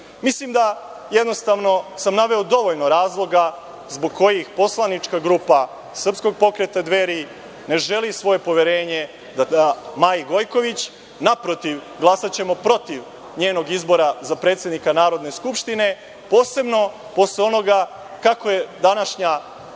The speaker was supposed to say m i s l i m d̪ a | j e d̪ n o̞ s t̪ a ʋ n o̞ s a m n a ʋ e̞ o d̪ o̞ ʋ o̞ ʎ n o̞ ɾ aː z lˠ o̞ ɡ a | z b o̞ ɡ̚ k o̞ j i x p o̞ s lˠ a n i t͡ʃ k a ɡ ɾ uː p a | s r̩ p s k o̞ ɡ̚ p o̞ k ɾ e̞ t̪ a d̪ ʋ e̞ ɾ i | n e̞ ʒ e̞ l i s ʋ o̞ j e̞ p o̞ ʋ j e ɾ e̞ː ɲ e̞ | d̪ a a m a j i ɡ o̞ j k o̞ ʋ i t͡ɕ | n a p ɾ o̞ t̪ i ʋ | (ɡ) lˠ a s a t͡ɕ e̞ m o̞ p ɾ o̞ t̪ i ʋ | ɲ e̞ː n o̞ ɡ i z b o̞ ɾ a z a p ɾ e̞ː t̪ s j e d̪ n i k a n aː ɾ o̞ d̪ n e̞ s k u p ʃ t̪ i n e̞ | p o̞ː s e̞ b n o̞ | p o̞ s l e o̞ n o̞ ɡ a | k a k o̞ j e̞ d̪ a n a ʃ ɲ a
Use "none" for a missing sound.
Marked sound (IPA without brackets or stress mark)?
ɡ